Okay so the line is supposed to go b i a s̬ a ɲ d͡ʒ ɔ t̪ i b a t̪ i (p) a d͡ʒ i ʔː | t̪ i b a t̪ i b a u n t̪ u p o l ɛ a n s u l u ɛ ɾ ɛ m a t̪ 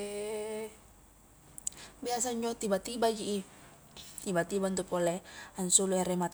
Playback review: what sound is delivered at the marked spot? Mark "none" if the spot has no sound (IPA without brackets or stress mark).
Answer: b